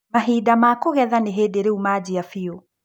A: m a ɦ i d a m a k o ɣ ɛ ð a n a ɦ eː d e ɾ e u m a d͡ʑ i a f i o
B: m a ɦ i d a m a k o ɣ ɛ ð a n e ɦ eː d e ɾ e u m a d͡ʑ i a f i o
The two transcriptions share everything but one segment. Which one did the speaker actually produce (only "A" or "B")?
B